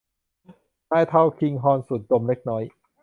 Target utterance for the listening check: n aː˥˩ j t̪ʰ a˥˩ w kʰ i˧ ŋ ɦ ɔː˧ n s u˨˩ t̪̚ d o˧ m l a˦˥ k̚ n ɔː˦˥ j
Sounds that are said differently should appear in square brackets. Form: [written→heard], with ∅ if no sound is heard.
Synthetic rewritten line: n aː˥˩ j t̪ʰ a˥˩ w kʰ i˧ ŋ ɦ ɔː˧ n s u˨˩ t̪̚ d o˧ m l [a˦˥→e˦˥] k̚ n ɔː˦˥ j